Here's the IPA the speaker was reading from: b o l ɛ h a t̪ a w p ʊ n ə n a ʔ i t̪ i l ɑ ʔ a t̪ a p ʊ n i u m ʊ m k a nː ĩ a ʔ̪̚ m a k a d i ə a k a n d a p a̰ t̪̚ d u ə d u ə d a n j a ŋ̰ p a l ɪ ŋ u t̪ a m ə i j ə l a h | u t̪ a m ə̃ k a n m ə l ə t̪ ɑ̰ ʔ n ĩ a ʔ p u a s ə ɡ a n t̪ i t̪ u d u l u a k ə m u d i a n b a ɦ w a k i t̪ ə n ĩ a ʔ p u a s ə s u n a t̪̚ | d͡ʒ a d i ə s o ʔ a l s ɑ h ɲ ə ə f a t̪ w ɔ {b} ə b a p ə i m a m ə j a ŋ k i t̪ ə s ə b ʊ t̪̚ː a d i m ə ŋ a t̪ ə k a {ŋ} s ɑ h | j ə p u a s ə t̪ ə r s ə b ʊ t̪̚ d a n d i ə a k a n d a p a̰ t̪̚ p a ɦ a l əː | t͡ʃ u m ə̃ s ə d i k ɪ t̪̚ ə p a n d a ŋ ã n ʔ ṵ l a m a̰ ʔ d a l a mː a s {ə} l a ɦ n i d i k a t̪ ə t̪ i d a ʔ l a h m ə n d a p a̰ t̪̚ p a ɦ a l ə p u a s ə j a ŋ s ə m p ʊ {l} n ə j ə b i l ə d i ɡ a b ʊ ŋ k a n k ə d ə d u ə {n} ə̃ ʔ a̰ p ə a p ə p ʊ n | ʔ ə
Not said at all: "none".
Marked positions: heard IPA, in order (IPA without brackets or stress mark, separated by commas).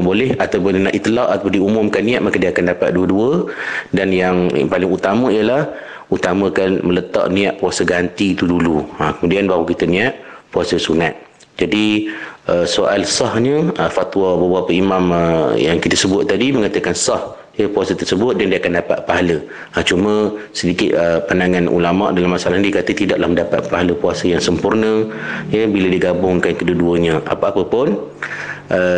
b, n, a, r, ɲ